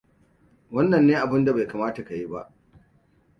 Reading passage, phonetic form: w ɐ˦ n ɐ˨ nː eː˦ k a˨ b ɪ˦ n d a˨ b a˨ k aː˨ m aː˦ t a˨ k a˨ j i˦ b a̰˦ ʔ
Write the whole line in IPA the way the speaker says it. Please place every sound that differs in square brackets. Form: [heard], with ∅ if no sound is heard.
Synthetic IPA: w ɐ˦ [nː] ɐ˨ nː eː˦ [ʔ] a˨ b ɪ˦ n d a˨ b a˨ k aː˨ m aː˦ t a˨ k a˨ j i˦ b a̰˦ ʔ